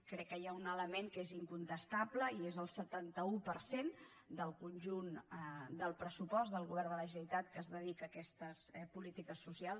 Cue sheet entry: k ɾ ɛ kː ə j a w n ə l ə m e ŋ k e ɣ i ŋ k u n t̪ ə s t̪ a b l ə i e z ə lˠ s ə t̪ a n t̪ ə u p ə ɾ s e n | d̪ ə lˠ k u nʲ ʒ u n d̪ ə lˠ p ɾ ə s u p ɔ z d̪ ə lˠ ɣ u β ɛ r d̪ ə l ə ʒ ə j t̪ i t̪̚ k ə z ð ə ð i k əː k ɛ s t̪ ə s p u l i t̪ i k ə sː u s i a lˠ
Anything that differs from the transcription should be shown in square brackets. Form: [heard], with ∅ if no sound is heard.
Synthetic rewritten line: k ɾ ɛ kː ə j a [u] n ə l ə m e ŋ k e [z] i ŋ k u n t̪ ə s t̪ a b l ə i e z ə lˠ s ə t̪ a n t̪ ə u p ə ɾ s e n | d̪ ə lˠ k u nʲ ʒ u n d̪ ə lˠ p ɾ ə s u p ɔ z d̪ ə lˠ ɣ u β ɛ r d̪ ə l ə ʒ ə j t̪ [a] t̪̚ k ə z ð ə ð i k əː k ɛ s t̪ ə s p u l i t̪ i k ə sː u s i a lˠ